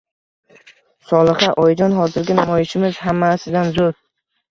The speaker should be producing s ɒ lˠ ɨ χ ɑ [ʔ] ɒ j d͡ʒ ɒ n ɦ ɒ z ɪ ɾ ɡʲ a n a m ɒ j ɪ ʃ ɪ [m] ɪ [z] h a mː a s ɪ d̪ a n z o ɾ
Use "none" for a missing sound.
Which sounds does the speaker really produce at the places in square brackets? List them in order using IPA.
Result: ʔ, m, z

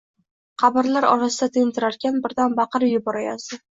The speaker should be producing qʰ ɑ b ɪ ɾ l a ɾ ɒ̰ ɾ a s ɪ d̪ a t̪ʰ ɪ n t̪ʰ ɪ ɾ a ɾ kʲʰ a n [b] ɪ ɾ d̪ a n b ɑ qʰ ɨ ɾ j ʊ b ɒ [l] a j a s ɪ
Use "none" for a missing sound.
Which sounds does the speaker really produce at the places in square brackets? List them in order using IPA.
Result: b, ɾ

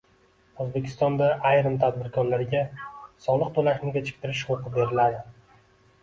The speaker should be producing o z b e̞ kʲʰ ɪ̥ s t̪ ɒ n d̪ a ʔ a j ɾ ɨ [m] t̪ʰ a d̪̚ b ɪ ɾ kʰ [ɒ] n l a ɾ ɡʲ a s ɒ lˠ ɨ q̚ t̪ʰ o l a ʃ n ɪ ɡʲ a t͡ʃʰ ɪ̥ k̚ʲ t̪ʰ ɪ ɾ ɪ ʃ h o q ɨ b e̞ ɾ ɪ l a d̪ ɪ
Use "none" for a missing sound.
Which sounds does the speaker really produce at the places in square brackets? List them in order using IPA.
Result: m, ɒ

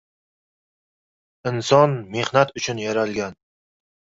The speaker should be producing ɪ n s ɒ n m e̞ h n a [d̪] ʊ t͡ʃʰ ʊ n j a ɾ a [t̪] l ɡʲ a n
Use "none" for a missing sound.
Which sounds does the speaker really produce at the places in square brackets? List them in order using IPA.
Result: t̪, none

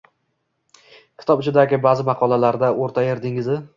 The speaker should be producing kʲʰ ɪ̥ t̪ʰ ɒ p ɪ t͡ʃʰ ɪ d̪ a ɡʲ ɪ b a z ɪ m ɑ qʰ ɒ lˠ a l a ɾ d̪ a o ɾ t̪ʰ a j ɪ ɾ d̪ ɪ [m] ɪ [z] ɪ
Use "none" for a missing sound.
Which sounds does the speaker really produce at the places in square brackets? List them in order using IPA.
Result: ŋ, z

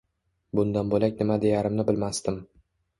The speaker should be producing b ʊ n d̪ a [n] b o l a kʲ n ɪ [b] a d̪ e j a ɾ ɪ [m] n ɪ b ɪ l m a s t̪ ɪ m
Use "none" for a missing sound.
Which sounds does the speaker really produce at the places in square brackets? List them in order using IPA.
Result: n, m, m

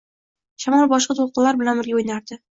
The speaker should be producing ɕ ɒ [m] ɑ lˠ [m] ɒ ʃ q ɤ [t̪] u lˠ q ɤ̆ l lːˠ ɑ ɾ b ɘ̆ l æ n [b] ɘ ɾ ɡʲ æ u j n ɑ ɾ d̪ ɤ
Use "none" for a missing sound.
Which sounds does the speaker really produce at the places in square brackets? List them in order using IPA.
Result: m, b, t̪, b

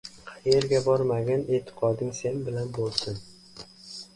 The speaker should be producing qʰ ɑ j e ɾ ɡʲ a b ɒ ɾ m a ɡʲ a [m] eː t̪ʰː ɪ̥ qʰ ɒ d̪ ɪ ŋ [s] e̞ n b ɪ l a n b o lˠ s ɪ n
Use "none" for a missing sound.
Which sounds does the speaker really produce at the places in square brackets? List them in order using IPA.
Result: n, s

